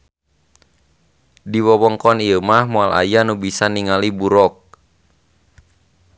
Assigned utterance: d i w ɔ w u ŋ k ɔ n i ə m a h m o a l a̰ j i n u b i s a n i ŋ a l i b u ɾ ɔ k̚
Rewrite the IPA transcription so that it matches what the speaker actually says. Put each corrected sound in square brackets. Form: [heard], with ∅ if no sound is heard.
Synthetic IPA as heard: d i w ɔ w [ɔ] ŋ k ɔ n i ə m a h m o a l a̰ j [a] n u b i s a n i ŋ a l i b u ɾ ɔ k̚